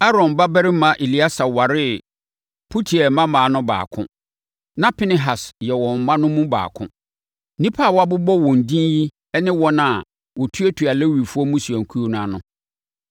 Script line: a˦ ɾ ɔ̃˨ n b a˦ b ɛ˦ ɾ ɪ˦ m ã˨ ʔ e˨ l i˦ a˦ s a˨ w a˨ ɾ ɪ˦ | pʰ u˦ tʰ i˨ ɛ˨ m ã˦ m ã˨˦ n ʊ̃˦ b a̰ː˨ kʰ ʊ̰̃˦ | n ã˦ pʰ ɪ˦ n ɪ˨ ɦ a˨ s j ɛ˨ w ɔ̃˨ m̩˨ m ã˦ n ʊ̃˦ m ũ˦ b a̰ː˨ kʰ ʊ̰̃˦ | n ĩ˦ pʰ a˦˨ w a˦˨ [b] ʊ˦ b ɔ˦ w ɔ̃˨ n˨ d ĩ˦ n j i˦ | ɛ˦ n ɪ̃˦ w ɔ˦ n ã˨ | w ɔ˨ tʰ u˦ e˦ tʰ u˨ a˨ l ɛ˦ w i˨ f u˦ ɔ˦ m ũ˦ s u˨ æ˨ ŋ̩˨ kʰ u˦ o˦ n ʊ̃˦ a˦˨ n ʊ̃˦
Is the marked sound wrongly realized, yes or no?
no